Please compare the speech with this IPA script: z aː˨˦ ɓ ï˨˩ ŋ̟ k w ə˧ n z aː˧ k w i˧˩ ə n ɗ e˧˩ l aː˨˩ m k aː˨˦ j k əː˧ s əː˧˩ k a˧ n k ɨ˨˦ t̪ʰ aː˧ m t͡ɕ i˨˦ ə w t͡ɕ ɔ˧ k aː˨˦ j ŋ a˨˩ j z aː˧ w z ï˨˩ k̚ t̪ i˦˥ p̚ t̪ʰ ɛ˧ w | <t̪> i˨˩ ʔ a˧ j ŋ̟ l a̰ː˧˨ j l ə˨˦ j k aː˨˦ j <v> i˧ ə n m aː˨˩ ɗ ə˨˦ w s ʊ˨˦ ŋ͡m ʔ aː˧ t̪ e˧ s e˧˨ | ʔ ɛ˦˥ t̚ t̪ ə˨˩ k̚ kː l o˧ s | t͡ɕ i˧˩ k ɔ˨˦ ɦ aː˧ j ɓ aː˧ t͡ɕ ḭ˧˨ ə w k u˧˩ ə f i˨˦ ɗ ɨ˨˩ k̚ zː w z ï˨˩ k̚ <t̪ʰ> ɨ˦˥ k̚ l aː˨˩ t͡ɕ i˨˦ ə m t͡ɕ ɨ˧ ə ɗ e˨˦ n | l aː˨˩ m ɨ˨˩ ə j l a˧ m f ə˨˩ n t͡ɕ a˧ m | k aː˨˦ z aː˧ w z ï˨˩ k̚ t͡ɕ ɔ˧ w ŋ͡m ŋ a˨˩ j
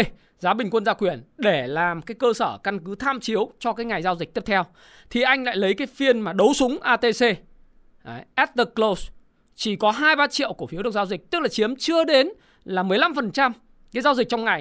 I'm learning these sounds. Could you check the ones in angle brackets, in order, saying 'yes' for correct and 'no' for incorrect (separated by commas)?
no, no, no